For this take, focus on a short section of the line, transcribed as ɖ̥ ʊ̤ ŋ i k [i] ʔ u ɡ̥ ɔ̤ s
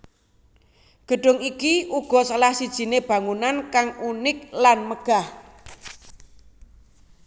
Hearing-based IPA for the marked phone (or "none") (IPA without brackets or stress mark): i